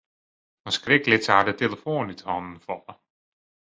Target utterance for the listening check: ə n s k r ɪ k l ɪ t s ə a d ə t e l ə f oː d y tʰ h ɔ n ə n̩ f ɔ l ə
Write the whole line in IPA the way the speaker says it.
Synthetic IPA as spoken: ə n s k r ɪ k l ɪ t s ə a d ə t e l ə f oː n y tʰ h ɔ n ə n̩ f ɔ l ə